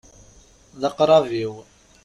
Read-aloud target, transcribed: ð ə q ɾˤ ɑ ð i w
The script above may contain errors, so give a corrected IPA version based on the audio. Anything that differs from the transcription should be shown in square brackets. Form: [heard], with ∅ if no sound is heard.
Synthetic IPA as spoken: ð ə q ɾˤ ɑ [v] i w